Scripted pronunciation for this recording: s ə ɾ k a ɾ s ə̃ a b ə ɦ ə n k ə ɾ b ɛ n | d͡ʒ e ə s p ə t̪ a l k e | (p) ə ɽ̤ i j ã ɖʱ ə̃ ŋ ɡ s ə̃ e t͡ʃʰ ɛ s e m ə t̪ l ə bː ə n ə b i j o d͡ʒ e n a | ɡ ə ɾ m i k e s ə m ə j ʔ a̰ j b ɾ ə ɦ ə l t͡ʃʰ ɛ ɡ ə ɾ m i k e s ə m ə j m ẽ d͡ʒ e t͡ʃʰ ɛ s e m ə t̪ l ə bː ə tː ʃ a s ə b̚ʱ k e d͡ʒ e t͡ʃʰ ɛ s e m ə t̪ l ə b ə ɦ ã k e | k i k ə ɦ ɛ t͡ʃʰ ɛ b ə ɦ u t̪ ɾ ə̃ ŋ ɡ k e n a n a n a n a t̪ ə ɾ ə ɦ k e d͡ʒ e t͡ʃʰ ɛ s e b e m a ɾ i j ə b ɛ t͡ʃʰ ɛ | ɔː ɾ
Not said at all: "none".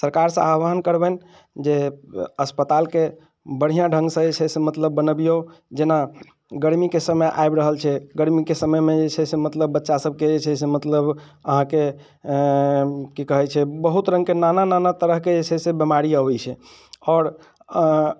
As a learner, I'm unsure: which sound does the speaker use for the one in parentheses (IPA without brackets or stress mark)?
b